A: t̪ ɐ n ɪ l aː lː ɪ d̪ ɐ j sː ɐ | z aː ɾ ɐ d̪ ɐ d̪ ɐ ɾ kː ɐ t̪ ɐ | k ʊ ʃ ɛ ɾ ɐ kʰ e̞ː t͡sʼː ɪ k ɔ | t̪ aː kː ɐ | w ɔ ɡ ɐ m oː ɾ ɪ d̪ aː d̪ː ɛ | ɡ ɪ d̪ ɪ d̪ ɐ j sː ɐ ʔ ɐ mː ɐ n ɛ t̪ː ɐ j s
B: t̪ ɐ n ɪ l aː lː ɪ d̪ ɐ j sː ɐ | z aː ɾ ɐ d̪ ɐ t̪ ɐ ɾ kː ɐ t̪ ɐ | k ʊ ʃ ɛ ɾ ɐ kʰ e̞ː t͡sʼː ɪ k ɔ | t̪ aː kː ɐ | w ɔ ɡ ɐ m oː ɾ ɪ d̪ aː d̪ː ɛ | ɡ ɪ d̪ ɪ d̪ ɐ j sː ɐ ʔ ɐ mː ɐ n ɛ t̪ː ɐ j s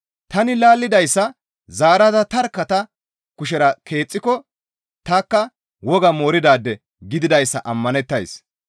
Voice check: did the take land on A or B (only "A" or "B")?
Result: B